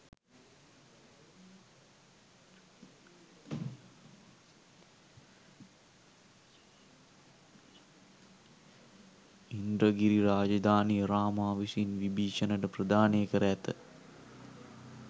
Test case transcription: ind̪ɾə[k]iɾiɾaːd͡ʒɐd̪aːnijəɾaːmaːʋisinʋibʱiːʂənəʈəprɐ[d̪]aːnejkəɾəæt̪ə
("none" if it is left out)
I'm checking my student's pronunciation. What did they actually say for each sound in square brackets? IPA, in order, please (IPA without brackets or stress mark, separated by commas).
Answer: ɡ, d̪